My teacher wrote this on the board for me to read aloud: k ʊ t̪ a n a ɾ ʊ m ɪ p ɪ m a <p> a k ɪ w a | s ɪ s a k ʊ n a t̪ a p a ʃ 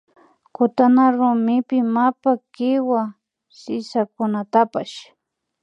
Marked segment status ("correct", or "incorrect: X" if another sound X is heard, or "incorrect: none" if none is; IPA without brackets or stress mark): correct